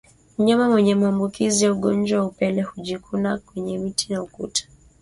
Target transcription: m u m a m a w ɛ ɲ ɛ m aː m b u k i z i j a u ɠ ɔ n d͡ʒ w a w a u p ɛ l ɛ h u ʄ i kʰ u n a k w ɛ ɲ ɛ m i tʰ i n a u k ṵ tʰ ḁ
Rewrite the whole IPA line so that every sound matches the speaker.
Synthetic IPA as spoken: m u ɲ a m a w ɛ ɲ ɛ m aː m b u k i z i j a u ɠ ɔ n d͡ʒ w a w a u p ɛ l ɛ h u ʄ i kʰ u n a k w ɛ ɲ ɛ m i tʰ i n a u k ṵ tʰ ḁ

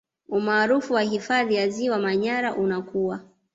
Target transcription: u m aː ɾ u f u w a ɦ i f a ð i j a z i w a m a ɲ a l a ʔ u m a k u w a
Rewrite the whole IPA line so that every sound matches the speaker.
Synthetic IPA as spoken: u m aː ɾ u f u w a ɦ i f a ð i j a z i w a m a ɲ a ɾ a ʔ u n a k u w a

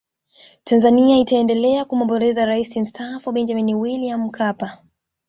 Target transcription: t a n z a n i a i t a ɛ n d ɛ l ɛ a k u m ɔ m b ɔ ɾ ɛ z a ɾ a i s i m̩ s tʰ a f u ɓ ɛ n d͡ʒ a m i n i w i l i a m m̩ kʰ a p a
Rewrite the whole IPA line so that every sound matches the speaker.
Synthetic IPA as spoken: t a n z a n i a i t a ɛ n d ɛ l ɛ a k u m ɔ m b ɔ ɾ ɛ z a ɾ a i s i m̩ s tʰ a f u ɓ ɛ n d͡ʒ a m i n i w i l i a m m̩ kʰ a p a

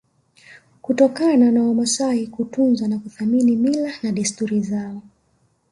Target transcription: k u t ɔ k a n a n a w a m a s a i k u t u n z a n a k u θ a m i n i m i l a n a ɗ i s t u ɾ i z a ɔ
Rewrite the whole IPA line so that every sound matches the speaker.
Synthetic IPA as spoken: k u t ɔ k a n a n a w a m a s a i k u t u n z a n a k u θ a m i n i m i l a n a ɗ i s t u ɾ i z a ɔ

